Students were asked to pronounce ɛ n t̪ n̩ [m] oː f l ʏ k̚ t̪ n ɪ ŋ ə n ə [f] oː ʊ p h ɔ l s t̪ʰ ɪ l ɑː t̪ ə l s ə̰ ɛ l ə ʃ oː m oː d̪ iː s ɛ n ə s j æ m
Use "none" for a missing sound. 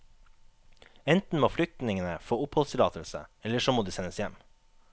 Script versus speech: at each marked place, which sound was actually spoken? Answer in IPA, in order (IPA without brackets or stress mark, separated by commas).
m, f